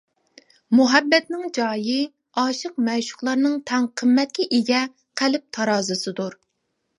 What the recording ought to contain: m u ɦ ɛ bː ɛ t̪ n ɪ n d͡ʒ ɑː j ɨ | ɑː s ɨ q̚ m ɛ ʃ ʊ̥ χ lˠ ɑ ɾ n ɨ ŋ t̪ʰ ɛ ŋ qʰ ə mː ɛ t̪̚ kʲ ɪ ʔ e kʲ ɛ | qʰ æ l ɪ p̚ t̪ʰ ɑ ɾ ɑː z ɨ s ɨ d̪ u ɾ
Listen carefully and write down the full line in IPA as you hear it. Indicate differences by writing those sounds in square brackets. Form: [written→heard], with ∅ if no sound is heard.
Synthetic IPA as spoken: m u ɦ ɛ bː ɛ t̪ n ɪ [n→ŋ] d͡ʒ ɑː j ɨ | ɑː [s→ʃ] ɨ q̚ m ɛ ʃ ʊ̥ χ lˠ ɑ ɾ n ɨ ŋ t̪ʰ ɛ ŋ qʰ ə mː ɛ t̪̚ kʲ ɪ ʔ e [kʲ→ɡʲ] ɛ | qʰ æ l ɪ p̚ t̪ʰ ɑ ɾ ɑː z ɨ s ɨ d̪ u ɾ